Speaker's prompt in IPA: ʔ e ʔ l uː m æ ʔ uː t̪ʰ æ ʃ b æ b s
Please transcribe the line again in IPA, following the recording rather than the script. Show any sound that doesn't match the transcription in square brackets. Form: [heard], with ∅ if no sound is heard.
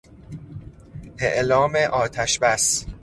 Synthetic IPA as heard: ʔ e ʔ l [ɒː] m [e] ʔ [ɒː] t̪ʰ æ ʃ b æ [∅] s